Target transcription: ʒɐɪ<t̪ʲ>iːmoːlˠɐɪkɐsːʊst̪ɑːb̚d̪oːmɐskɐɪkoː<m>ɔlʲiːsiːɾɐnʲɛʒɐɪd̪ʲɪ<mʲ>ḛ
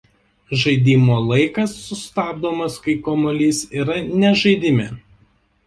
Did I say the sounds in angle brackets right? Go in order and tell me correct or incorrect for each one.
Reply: incorrect: d̪ʲ, correct, correct

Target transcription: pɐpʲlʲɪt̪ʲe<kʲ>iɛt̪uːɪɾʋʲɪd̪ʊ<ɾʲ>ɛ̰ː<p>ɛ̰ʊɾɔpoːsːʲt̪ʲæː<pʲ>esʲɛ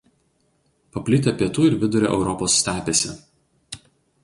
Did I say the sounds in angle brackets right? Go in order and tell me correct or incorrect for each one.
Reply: incorrect: pʲ, correct, incorrect: ʔ, correct

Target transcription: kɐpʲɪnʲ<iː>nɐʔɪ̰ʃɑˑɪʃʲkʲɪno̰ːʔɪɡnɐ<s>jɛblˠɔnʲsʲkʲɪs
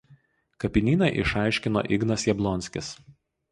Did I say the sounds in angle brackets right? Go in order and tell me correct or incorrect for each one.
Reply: correct, correct

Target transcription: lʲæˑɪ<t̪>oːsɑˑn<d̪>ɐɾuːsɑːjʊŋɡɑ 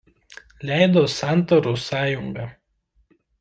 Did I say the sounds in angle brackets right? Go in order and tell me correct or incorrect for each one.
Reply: incorrect: d̪, incorrect: t̪

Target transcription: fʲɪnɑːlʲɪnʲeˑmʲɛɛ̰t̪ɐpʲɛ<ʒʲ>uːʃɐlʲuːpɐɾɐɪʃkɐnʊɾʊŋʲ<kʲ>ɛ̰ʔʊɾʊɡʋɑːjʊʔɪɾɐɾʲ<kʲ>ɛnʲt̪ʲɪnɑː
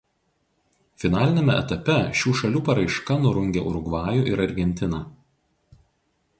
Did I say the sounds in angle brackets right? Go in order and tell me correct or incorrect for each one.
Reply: incorrect: ʃʲ, incorrect: ɡʲ, incorrect: ɡʲ

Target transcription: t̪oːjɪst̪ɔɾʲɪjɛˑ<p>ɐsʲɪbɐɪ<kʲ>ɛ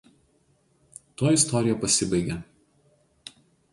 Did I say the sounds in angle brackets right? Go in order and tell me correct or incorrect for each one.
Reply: correct, incorrect: ɡʲ

